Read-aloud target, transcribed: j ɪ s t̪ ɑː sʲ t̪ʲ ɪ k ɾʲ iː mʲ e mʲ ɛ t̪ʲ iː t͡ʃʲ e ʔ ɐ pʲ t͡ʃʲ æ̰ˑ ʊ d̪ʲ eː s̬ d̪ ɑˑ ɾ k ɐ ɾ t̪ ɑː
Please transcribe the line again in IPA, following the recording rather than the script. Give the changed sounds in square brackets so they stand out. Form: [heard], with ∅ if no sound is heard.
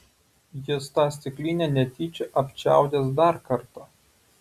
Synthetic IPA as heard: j ɪ s t̪ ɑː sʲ t̪ʲ ɪ k [lʲ] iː [nʲ] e [nʲ] ɛ t̪ʲ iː t͡ʃʲ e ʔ ɐ pʲ t͡ʃʲ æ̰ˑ ʊ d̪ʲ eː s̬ d̪ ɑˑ ɾ k ɐ ɾ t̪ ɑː